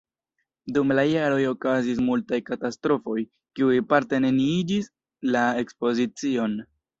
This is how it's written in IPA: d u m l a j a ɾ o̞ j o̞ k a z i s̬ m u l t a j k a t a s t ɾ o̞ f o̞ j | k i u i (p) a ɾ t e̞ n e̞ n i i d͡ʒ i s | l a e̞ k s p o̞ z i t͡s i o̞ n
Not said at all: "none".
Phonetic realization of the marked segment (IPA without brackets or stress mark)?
p